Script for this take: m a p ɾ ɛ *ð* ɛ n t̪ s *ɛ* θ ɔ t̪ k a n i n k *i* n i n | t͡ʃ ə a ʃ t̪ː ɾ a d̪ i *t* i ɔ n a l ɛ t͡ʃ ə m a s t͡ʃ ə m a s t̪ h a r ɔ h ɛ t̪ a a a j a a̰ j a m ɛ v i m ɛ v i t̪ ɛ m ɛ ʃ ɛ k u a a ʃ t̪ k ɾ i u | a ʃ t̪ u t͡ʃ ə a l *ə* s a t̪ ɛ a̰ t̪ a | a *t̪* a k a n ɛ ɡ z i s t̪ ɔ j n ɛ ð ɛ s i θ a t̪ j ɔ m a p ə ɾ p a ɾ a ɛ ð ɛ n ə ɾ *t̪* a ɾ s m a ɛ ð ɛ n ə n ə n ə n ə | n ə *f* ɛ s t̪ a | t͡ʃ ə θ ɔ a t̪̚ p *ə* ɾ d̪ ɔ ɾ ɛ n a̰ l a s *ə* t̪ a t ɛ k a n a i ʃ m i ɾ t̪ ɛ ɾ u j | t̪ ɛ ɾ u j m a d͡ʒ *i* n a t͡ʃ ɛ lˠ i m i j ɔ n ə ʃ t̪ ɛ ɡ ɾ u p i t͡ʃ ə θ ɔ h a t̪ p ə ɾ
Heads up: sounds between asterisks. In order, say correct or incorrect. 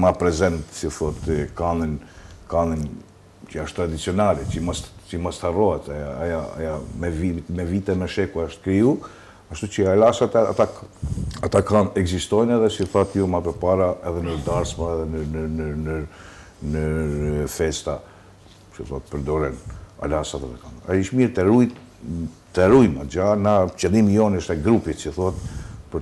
incorrect: z, incorrect: i, incorrect: a, incorrect: t͡s, incorrect: a, correct, incorrect: d̪, correct, correct, incorrect: a, incorrect: a

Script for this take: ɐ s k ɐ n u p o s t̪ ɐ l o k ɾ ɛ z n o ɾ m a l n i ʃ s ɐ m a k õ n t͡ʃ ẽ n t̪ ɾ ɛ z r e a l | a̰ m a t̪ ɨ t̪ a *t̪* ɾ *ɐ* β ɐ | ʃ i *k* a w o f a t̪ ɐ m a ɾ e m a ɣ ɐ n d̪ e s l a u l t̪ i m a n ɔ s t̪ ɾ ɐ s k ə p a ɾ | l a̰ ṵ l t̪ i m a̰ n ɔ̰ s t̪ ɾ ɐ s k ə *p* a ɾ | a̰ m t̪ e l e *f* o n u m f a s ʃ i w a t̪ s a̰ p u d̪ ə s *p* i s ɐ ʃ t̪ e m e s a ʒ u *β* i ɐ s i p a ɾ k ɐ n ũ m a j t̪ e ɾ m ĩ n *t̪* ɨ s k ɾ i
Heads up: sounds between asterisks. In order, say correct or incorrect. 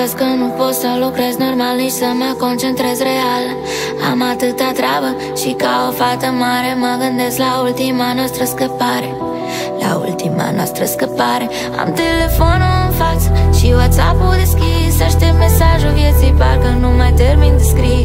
correct, incorrect: a, correct, correct, correct, incorrect: k, incorrect: v, incorrect: d̪

